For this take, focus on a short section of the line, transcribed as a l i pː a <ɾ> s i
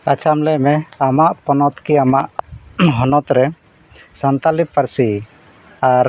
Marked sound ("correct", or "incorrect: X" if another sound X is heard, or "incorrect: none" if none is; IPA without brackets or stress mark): correct